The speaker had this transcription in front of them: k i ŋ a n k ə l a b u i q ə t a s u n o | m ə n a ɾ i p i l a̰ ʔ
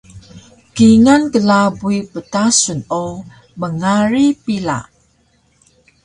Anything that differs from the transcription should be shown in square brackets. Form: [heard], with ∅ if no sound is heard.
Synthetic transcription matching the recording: k i ŋ a n k ə l a b u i [p] ə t a s u n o | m ə [ŋ] a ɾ i p i l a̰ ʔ